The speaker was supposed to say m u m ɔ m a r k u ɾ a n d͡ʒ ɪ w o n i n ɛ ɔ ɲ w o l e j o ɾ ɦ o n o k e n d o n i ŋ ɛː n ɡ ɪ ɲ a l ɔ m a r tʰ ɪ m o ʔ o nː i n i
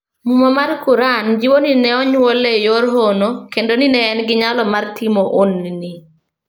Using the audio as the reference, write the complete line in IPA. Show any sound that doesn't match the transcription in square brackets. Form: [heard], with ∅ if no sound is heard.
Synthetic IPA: m u m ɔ m a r k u ɾ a n d͡ʒ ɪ w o n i n ɛ ɔ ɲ w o l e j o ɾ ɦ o n o k e n d o n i [n] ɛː n ɡ ɪ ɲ a l ɔ m a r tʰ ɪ m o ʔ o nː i n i